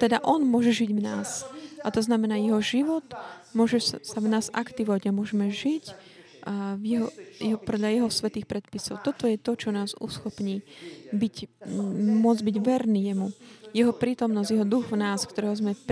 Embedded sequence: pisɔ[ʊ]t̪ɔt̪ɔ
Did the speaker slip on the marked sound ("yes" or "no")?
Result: no